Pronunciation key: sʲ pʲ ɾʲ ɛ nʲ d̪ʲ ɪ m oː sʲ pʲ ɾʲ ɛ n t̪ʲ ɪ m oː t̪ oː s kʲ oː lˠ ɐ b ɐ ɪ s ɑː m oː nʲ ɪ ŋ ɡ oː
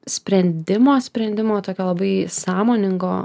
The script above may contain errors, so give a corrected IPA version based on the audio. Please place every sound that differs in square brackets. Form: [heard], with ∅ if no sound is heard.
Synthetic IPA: sʲ pʲ ɾʲ ɛ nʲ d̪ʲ ɪ m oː sʲ pʲ ɾʲ ɛ n [d̪ʲ] ɪ m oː t̪ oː [∅] kʲ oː lˠ ɐ b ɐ ɪ s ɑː m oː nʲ ɪ ŋ ɡ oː